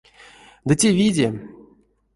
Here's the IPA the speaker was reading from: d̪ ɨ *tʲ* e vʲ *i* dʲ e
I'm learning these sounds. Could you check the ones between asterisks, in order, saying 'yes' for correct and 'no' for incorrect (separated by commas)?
yes, yes